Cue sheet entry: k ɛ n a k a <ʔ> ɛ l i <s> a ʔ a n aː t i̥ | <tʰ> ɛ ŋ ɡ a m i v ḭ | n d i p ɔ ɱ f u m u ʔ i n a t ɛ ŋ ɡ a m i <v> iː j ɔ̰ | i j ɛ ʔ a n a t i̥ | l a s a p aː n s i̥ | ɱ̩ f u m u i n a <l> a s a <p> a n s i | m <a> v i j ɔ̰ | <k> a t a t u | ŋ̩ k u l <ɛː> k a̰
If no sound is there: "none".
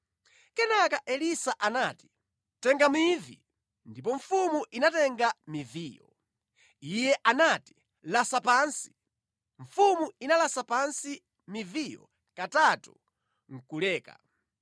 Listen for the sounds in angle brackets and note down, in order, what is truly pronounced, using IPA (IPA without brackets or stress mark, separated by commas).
ʔ, s, t, v, l, p, i, k, ɛː